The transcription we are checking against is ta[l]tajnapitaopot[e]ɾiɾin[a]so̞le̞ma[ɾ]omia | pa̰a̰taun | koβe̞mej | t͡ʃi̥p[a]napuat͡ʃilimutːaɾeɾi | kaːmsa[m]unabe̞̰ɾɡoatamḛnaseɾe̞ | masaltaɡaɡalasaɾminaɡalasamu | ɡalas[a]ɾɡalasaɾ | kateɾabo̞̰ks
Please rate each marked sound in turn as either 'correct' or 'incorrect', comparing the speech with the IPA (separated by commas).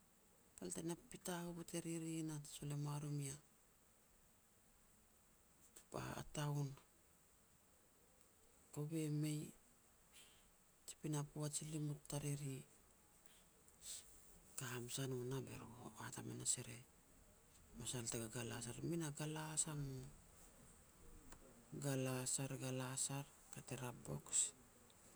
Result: correct, correct, correct, correct, incorrect, incorrect, correct